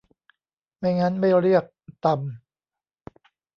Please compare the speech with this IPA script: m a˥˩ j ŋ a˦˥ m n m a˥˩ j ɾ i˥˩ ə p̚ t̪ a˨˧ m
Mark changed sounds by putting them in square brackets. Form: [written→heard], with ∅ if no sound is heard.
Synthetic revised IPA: m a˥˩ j ŋ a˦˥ [m→∅] n m a˥˩ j ɾ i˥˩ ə [p̚→k̚] t̪ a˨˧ m